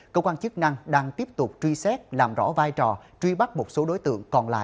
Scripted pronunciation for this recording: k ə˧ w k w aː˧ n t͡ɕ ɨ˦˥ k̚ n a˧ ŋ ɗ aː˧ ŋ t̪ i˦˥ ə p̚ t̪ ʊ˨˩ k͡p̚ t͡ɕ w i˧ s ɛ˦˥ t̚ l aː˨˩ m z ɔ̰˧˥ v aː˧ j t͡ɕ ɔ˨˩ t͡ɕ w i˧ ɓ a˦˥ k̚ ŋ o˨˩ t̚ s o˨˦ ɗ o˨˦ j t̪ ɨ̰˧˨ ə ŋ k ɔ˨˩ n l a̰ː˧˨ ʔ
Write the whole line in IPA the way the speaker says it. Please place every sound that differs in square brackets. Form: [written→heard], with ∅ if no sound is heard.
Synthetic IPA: k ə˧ w k w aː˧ n t͡ɕ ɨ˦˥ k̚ n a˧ ŋ ɗ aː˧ ŋ t̪ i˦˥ ə p̚ t̪ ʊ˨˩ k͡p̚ t͡ɕ w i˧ s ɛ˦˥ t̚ l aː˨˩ m z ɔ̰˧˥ v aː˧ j t͡ɕ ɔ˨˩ t͡ɕ w i˧ ɓ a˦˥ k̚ [ŋ→m] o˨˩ t̚ s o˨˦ ɗ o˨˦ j t̪ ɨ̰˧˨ ə ŋ k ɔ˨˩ n l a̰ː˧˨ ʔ